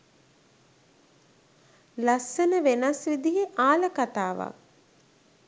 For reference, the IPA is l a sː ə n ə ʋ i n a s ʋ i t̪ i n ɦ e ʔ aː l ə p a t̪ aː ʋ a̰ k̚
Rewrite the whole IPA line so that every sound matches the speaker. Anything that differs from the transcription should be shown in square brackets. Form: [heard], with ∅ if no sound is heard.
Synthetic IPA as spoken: l a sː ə n ə ʋ [e] n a s ʋ i [d̪] i [∅] ɦ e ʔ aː l ə [k] a t̪ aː ʋ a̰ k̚